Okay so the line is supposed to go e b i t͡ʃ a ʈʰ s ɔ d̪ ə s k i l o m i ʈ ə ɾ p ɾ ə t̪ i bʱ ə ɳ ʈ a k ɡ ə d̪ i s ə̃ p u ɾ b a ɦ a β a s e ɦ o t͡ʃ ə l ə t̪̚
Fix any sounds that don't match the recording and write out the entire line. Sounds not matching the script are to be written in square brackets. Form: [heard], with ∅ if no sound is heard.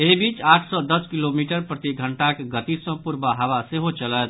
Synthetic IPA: e b i t͡ʃ a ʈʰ s ɔ d̪ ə s k i l o m i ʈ ə ɾ p ɾ ə t̪ i [ɡʱ] ə ɳ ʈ a k ɡ ə [t̪] i s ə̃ p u ɾ b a ɦ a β a s e ɦ o t͡ʃ ə l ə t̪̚